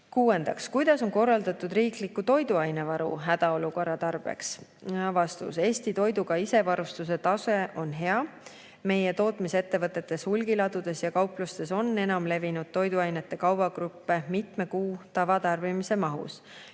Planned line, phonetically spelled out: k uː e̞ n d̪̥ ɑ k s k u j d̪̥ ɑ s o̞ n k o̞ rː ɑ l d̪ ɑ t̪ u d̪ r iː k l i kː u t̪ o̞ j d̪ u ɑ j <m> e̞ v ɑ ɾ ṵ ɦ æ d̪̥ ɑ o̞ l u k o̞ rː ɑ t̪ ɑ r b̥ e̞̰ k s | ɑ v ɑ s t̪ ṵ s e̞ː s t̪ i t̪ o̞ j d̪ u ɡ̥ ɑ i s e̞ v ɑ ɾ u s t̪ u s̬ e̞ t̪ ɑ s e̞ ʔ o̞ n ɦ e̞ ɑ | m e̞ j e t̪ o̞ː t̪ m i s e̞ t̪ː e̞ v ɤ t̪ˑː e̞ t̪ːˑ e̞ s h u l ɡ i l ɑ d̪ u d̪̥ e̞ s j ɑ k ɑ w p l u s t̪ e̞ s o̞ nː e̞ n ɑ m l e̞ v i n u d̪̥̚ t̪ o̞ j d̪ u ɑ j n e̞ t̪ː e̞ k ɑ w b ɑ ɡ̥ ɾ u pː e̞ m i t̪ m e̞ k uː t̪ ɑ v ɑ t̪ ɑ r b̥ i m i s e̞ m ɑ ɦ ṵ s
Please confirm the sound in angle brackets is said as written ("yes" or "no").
no